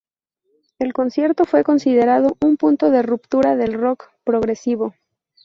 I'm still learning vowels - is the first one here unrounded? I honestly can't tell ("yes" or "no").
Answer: yes